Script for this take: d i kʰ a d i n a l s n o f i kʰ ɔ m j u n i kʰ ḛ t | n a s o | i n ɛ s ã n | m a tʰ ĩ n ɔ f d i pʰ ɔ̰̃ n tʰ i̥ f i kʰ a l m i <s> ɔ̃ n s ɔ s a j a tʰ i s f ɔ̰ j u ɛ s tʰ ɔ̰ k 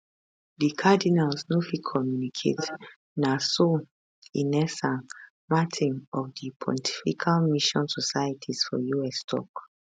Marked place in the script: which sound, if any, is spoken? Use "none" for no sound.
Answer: ʃ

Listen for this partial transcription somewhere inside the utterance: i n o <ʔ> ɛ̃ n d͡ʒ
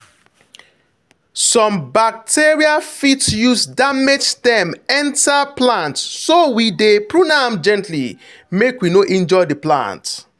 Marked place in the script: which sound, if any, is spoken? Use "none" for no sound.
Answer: ʔ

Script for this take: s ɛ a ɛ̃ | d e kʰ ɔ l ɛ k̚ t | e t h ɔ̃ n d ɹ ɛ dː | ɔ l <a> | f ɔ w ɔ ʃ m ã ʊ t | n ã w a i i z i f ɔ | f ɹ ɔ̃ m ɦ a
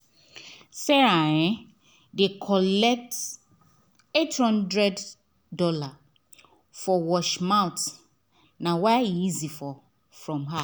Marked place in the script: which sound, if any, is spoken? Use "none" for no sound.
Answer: a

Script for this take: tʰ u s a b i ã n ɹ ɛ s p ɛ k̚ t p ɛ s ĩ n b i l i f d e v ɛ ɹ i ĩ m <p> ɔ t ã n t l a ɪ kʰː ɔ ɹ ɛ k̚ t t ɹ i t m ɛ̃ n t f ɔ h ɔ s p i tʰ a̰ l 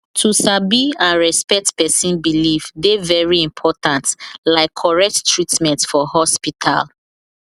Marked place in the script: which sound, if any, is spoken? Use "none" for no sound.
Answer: pʰ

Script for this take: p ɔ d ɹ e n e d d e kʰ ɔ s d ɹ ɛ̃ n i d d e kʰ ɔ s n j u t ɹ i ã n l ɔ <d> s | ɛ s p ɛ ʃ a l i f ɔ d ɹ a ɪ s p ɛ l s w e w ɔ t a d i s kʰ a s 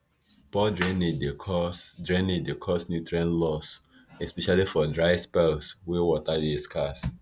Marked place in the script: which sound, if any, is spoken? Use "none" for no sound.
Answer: none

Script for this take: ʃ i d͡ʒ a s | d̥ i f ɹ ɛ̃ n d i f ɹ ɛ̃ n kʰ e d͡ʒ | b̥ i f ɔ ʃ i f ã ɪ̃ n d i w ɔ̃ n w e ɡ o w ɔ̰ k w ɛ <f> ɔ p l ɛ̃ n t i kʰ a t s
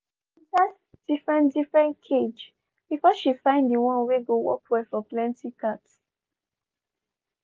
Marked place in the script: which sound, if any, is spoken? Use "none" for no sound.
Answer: f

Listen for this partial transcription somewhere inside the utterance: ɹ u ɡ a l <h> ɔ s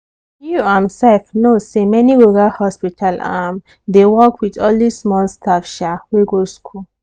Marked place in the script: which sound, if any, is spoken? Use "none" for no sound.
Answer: h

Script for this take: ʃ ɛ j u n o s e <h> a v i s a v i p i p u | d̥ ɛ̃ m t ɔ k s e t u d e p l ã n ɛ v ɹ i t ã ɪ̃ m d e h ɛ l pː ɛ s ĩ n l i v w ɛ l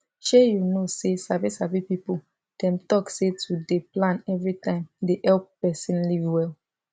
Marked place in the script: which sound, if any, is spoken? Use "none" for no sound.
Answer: s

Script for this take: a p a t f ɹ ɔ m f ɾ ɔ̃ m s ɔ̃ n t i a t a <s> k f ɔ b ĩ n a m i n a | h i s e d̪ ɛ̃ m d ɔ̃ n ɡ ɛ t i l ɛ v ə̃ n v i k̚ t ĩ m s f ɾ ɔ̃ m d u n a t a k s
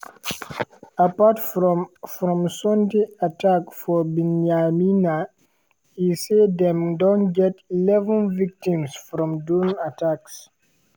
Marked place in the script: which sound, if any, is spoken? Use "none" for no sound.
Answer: none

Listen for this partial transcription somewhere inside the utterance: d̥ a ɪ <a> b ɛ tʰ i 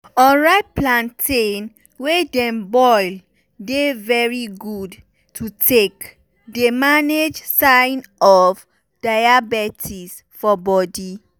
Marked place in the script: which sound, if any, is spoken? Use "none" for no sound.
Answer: a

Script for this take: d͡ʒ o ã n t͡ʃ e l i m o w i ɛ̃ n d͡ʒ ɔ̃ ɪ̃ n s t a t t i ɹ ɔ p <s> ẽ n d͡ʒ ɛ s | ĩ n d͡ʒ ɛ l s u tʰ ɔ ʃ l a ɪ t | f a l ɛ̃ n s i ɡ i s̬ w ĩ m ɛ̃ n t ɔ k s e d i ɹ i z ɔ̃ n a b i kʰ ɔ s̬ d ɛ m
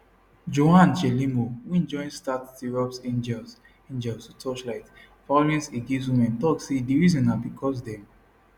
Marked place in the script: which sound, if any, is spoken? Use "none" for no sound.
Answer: s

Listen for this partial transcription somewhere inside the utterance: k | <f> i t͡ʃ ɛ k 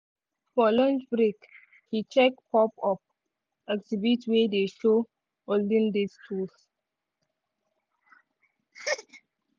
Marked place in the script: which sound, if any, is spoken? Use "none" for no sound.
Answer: h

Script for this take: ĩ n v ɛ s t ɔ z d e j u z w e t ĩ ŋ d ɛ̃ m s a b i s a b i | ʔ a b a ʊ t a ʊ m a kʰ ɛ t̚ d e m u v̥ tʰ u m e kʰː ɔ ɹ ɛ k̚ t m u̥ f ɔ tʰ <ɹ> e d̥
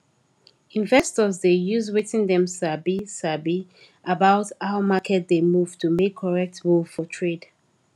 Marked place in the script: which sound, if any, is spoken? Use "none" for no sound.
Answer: ɹ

